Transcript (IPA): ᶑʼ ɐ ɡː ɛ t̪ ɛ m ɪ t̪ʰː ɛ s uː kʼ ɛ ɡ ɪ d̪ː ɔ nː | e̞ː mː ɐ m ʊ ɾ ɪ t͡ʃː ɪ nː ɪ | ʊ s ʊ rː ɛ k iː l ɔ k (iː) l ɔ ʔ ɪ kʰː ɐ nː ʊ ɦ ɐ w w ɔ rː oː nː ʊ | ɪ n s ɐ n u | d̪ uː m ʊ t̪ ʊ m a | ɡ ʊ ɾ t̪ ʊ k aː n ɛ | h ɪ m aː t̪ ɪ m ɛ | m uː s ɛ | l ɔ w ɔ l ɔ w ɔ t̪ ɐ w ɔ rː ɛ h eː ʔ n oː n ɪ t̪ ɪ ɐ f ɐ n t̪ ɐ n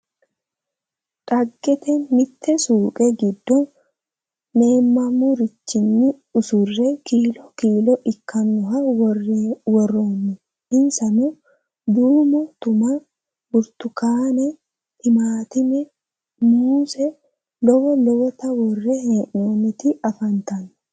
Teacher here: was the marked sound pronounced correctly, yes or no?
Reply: yes